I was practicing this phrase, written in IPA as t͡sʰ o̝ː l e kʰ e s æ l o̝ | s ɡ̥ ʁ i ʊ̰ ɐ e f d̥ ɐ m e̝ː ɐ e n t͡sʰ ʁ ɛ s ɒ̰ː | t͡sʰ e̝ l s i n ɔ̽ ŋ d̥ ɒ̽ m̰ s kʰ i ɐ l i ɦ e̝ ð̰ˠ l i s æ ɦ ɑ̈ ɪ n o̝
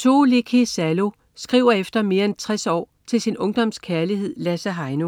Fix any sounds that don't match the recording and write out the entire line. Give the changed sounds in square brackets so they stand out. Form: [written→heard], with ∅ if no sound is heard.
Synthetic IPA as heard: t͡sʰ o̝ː l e kʰ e s æ l o̝ | s ɡ̥ ʁ i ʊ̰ ɐ e f d̥ ɐ m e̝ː ɐ e n t͡sʰ ʁ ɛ s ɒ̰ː | t͡sʰ e̝ l s i n ɔ̽ ŋ d̥ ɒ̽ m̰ s kʰ [i→æ] ɐ l i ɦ e̝ ð̰ˠ l [i→æ] s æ ɦ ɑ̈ ɪ n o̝

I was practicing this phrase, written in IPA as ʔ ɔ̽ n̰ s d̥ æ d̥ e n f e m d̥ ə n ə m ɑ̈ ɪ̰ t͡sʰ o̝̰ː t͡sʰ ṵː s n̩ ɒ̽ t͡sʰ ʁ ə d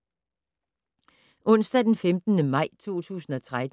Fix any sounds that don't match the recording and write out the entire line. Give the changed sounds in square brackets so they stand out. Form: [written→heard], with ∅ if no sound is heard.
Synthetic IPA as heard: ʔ ɔ̽ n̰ s d̥ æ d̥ e n f e m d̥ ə n ə m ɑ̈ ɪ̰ t͡sʰ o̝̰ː t͡sʰ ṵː s n̩ ɒ̽ t͡sʰ ʁ [ə→a] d

